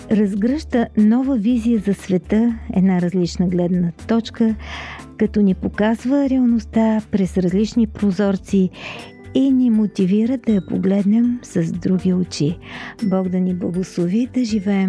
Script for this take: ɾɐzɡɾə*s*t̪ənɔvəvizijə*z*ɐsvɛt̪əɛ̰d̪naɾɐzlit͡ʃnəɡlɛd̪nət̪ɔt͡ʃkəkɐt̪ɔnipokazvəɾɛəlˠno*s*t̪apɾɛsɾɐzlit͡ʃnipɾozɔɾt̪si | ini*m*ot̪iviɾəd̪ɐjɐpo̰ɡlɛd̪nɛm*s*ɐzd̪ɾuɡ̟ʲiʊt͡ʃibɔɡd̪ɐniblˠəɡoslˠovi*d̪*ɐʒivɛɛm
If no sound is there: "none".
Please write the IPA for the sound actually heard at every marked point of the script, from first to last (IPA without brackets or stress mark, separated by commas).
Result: ʃ, z, s, m, s, d̪